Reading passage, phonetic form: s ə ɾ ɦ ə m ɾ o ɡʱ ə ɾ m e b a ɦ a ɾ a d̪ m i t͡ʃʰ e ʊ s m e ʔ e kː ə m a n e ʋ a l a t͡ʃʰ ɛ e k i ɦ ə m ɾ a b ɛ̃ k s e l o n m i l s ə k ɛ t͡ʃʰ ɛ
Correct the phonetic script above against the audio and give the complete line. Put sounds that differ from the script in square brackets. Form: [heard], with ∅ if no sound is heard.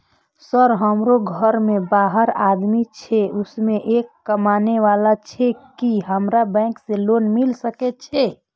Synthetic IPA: s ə ɾ ɦ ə m ɾ o ɡʱ ə ɾ m e b a ɦ [ə] ɾ a d̪ m i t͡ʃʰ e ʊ s m e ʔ e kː ə m a n e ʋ a l a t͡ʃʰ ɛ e k i ɦ ə m ɾ a b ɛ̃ k s e l o n m i l s ə k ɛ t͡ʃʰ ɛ